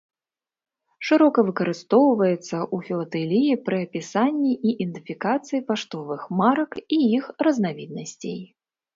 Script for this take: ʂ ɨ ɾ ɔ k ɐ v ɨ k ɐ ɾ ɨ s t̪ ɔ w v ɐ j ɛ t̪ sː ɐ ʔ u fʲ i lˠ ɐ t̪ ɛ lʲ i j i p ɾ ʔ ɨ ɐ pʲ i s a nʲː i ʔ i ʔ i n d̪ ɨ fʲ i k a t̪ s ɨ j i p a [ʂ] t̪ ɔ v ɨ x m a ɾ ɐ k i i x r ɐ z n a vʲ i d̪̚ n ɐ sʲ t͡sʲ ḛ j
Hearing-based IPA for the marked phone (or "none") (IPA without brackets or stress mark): ʂ